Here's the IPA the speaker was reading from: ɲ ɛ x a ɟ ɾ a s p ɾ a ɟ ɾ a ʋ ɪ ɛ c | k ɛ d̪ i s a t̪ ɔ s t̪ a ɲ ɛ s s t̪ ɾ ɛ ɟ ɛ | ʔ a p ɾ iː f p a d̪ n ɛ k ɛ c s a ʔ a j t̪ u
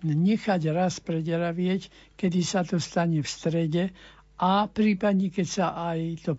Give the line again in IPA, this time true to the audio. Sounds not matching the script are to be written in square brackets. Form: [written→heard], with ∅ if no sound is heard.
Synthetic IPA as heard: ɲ ɛ x a ɟ ɾ a s p ɾ [a→ɛ] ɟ ɾ a ʋ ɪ ɛ c | k ɛ d̪ i s a t̪ ɔ s t̪ a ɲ ɛ [s→f] s t̪ ɾ ɛ ɟ ɛ | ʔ a p ɾ iː [f→∅] p a d̪ [n→ɲ] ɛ k ɛ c s a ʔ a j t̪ [u→ɔ]